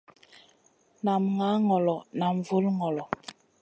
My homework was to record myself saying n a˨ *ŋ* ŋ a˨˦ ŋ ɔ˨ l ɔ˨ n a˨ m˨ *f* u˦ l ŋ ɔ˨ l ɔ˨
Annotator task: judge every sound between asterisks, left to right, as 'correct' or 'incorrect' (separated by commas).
incorrect, incorrect